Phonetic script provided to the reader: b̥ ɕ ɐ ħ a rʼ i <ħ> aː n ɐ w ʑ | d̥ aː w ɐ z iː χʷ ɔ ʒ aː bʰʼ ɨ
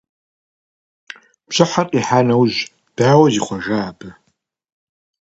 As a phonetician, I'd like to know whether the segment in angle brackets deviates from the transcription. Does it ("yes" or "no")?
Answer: no